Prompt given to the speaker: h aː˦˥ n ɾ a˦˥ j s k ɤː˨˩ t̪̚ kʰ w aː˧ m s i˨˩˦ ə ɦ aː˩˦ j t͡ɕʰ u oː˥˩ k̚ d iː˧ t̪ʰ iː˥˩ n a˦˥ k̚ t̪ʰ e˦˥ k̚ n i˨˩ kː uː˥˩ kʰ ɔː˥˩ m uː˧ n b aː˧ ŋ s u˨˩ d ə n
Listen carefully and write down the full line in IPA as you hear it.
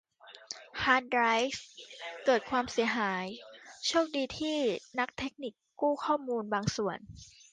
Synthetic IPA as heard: h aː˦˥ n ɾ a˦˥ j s k ɤː˨˩ t̪̚ kʰ w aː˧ m s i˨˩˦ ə ɦ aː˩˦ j t͡ɕʰ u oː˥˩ k̚ d iː˧ t̪ʰ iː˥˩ n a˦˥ k̚ t̪ʰ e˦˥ k̚ n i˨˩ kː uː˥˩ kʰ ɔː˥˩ m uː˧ n b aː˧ ŋ s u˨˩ ə n